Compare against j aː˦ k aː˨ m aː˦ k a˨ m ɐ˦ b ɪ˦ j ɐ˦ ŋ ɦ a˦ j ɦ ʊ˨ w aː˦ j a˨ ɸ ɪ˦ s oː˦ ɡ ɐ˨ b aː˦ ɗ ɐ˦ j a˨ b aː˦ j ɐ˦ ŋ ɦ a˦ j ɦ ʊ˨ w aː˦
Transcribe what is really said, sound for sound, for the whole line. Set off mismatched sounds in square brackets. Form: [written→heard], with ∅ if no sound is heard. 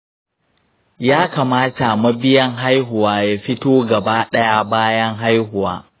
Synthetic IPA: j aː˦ k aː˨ m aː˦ [k→t] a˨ m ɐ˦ b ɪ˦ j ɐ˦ ŋ ɦ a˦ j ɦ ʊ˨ w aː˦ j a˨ ɸ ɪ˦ [s→t] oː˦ ɡ ɐ˨ b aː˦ ɗ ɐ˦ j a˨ b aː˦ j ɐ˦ ŋ ɦ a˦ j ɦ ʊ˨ w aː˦